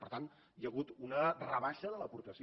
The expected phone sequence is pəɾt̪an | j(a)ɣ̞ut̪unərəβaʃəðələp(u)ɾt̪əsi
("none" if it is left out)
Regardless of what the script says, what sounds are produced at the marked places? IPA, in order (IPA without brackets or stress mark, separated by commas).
ə, u